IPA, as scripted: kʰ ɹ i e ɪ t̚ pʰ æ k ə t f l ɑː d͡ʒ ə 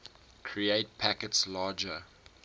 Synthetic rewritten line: kʰ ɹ i e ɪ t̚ pʰ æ k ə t s l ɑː d͡ʒ ə